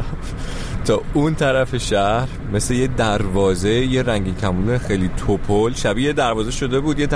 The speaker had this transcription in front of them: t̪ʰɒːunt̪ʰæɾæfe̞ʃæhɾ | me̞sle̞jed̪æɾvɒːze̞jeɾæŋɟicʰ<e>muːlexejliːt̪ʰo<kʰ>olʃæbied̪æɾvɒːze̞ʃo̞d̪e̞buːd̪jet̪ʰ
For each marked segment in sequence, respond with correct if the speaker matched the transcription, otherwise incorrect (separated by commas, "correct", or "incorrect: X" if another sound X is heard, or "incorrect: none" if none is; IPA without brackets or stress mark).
incorrect: æ, incorrect: pʰ